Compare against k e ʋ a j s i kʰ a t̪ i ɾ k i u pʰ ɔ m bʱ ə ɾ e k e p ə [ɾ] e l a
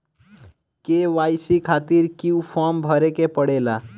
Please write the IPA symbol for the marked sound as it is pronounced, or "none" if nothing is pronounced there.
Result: ɽ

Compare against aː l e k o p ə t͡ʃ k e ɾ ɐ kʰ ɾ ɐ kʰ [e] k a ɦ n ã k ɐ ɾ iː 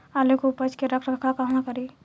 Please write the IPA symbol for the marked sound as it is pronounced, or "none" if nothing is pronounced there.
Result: a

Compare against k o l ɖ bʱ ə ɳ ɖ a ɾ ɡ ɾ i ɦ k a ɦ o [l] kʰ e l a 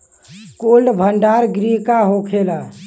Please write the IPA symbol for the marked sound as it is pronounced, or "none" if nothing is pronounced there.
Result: none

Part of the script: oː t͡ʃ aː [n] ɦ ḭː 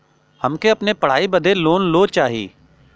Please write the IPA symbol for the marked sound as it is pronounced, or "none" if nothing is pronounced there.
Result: none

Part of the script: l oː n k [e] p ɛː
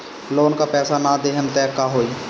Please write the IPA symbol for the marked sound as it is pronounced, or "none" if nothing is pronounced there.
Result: a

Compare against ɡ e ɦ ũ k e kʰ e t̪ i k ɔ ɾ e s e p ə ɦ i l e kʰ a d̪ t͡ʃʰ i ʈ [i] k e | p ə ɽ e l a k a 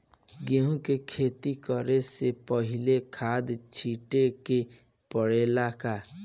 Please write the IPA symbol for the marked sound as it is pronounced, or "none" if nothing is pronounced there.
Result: e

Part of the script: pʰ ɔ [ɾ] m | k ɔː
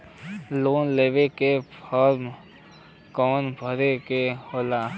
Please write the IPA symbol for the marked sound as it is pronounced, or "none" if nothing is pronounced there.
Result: ɾ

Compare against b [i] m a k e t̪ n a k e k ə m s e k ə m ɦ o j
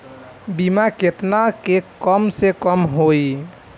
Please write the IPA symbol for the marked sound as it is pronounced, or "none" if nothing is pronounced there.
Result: i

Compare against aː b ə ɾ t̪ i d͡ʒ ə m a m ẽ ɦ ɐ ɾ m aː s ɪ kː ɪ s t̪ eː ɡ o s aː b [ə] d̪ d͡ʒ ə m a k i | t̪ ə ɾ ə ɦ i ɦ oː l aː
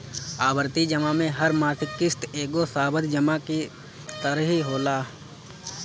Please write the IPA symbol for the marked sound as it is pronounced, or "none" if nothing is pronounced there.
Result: ə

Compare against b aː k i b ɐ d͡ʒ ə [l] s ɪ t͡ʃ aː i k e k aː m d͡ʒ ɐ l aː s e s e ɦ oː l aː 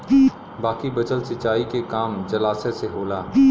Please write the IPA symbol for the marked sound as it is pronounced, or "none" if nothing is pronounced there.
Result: l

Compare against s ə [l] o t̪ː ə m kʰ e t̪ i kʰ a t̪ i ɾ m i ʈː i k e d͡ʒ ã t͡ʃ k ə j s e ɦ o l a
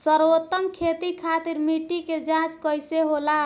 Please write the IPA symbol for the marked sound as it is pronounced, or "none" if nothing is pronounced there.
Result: ɾ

